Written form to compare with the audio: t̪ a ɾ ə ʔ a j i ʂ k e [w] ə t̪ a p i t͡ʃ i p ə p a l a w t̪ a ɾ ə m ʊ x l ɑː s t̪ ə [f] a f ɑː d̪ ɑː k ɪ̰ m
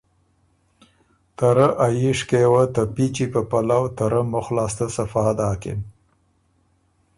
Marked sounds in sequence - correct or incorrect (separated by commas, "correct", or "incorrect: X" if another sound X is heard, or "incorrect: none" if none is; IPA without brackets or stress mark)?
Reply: correct, incorrect: s